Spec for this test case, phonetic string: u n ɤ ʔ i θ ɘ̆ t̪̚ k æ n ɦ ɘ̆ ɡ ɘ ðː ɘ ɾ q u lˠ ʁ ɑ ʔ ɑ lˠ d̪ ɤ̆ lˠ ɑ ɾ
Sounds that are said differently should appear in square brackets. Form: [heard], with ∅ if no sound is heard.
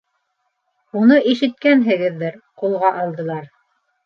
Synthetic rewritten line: u n ɤ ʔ i [ʃ] ɘ̆ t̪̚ k æ n ɦ ɘ̆ ɡ ɘ ðː ɘ ɾ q u lˠ ʁ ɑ ʔ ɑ lˠ d̪ ɤ̆ lˠ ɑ ɾ